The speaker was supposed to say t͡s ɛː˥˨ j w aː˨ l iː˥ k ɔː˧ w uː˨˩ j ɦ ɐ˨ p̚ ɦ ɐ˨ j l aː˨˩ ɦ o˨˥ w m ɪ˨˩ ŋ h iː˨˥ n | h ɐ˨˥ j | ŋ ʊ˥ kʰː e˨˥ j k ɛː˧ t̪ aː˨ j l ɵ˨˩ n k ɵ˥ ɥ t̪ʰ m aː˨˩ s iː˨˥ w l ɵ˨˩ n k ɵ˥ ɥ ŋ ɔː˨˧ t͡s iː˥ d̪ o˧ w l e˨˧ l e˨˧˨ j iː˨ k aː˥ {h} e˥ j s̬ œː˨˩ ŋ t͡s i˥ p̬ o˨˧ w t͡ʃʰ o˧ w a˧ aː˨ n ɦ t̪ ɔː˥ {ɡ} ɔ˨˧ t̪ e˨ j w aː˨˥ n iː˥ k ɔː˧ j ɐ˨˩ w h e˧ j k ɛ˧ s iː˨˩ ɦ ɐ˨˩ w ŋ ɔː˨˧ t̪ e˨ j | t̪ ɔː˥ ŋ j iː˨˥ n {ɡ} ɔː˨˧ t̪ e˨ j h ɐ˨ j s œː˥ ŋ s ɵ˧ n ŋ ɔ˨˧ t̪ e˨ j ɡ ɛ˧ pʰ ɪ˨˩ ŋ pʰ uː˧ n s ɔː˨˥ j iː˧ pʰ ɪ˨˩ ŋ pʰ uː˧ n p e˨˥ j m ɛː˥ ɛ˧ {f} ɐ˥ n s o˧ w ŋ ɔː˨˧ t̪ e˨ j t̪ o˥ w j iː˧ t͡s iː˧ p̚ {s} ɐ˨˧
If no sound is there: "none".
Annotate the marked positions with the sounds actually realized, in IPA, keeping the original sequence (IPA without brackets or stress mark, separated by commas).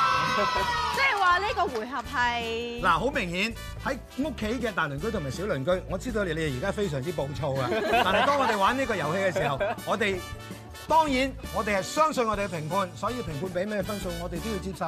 f, ŋ, ŋ, f, s